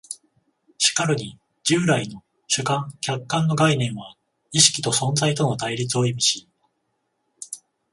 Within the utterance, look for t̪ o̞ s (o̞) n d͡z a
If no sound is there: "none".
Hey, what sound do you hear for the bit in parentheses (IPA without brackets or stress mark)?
õ̞